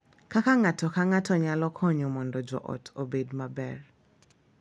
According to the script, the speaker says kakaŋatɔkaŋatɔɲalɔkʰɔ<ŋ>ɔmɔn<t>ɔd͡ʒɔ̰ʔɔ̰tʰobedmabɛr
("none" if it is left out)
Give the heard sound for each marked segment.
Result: ɲ, d

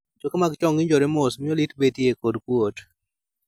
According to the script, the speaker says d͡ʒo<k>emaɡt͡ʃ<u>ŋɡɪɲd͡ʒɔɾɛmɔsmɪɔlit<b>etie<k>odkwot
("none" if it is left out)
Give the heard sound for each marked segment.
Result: k, ɔ, b, k

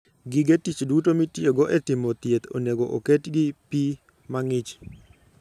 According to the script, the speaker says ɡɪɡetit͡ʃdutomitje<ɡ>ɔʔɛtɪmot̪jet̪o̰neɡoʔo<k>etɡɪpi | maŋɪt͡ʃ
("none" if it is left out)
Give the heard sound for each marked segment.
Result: ɡ, k

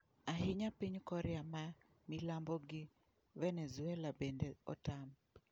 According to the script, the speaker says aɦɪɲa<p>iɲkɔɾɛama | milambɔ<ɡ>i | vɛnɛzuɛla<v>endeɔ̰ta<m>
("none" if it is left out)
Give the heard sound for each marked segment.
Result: p, ɡ, b, m

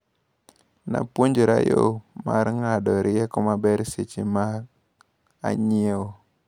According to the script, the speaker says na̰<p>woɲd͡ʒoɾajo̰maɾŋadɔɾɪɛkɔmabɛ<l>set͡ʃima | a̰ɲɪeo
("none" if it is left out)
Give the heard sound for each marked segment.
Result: p, ɾ

